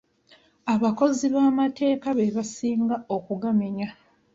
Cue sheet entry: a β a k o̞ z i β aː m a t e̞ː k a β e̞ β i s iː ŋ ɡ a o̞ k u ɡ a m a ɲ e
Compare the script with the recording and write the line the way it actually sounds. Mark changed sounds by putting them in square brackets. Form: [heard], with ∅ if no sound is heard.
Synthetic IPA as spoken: a β a k o̞ z i β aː m a t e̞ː k a β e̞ β [a] s iː ŋ ɡ a o̞ k u ɡ a m [e] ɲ [a]